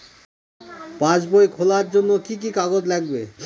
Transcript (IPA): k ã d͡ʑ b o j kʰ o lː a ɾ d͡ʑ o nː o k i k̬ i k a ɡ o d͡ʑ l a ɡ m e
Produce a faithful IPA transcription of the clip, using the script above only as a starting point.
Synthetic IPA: p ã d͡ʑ b o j kʰ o l a ɾ d͡ʑ o nː o k i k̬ i k a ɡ o d͡ʑ l ɛ ɡ b e